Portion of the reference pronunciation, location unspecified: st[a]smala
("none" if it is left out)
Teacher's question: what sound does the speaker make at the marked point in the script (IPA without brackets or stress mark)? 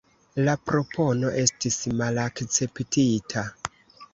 i